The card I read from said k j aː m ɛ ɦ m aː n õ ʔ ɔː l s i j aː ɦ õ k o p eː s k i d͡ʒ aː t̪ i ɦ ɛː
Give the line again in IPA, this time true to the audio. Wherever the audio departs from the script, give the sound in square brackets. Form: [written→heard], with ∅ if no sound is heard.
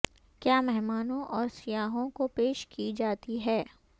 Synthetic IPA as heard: k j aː m ɛ ɦ m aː n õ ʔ ɔː [l→ɾ] s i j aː ɦ õ k o p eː [s→ʃ] k i d͡ʒ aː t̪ i ɦ ɛː